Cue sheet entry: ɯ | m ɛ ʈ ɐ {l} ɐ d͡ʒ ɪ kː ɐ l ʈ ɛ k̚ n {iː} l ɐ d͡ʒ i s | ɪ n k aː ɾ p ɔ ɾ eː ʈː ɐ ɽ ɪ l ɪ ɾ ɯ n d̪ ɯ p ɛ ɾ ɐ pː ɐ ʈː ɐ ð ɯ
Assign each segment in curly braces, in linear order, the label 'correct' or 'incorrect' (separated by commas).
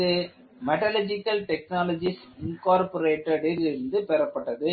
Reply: correct, incorrect